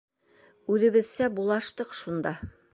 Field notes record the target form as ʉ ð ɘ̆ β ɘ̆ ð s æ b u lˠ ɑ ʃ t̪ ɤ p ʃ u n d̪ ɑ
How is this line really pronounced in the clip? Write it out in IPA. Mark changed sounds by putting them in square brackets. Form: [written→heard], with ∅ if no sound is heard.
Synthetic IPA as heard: ʉ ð ɘ̆ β ɘ̆ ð s æ b u lˠ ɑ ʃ t̪ ɤ [p→q] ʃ u n d̪ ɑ